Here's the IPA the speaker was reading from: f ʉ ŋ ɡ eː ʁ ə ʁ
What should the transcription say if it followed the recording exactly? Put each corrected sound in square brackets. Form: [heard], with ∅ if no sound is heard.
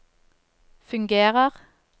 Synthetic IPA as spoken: f ʉ ŋ ɡ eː ʁ ə ʁ